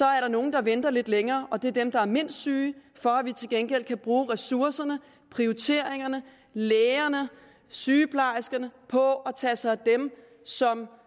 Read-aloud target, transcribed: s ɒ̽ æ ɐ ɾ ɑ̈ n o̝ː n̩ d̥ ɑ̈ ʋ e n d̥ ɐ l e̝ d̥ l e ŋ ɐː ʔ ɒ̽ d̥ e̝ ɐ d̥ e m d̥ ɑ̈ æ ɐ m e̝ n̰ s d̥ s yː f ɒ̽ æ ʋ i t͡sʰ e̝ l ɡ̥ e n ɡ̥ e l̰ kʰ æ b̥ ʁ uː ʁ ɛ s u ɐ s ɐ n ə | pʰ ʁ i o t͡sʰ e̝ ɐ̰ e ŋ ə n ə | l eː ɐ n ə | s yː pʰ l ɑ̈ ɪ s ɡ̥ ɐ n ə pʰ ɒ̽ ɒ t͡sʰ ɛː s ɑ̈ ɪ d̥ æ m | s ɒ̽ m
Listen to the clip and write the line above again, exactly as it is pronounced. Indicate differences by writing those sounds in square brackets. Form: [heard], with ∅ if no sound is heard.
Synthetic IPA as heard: s ɒ̽ æ ɐ ɾ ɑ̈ n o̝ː n̩ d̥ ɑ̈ ʋ e n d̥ ɐ l e̝ d̥ l e ŋ ɐː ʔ ɒ̽ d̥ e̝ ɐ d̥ e m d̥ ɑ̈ æ ɐ m e̝ n̰ s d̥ s yː f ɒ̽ æ ʋ i t͡sʰ e̝ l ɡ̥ e n ɡ̥ e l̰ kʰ æ b̥ ʁ uː ʁ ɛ s u ɐ s ɐ n ə | pʰ ʁ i o t͡sʰ e̝ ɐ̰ e ŋ [ɐ] n ə | l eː ɐ n ə | s yː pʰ l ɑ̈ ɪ s ɡ̥ ɐ n ə pʰ ɒ̽ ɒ t͡sʰ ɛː s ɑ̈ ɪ d̥ [e] m | s ɒ̽ m

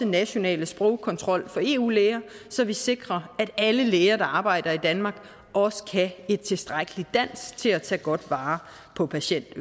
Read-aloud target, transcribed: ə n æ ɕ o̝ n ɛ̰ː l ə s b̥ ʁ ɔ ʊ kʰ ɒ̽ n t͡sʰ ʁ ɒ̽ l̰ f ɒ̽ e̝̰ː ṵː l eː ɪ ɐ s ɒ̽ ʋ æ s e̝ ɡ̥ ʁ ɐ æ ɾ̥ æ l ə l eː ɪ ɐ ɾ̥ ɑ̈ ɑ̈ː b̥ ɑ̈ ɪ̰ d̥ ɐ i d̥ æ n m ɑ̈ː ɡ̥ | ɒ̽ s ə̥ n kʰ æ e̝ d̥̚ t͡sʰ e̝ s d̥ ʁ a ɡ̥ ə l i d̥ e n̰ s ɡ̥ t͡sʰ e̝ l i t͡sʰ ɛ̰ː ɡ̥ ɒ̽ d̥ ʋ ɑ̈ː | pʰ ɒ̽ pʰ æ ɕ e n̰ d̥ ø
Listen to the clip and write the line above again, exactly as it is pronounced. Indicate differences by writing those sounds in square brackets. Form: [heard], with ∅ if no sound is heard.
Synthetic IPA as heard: ə n æ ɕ o̝ n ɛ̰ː l ə s b̥ ʁ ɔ ʊ kʰ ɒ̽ n t͡sʰ ʁ ɒ̽ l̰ f ɒ̽ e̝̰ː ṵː l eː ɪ ɐ s ɒ̽ ʋ [i] s e̝ ɡ̥ ʁ ɐ æ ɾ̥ æ l ə l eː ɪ ɐ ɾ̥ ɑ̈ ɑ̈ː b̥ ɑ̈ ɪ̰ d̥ ɐ i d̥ æ n m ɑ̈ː ɡ̥ | ɒ̽ s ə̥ [∅] kʰ æ e̝ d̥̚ t͡sʰ e̝ s d̥ ʁ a ɡ̥ ə l i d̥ [æ] n̰ s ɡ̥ t͡sʰ e̝ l [æ] t͡sʰ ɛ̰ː ɡ̥ ɒ̽ d̥ ʋ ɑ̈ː | pʰ ɒ̽ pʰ æ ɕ e n̰ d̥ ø

